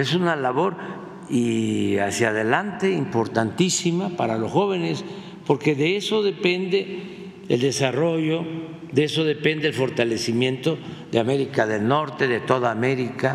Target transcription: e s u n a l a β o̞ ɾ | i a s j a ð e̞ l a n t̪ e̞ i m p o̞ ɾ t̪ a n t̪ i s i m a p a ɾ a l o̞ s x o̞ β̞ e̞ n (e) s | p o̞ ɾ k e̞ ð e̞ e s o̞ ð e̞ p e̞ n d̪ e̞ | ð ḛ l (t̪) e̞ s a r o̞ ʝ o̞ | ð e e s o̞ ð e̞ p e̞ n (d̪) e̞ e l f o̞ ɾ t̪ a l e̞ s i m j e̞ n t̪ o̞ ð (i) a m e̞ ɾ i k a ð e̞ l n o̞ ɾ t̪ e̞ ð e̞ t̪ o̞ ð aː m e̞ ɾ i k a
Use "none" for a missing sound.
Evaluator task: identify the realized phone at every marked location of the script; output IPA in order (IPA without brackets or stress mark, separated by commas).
e, d̪, d̪, e